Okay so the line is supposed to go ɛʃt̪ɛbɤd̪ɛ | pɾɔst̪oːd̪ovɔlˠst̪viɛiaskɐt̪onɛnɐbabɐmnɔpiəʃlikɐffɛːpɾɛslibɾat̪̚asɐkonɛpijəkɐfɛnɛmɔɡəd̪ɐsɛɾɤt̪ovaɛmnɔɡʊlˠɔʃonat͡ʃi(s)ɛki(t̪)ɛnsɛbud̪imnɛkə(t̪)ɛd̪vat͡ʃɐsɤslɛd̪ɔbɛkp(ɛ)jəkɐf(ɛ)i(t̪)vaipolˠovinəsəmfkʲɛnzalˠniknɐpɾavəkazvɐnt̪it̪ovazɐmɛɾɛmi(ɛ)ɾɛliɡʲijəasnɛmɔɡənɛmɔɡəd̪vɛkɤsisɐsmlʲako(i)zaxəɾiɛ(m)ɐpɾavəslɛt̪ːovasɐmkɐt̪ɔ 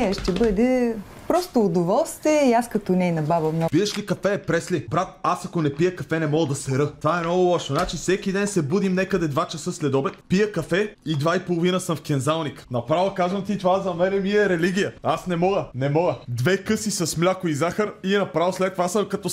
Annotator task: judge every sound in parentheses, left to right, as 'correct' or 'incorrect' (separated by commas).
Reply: correct, incorrect, incorrect, incorrect, correct, incorrect, correct, correct, incorrect